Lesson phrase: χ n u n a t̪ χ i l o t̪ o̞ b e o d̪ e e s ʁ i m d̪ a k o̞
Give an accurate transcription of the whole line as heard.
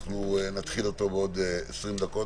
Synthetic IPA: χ n u n a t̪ χ i l o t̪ o̞ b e o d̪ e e s ʁ i m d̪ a k o̞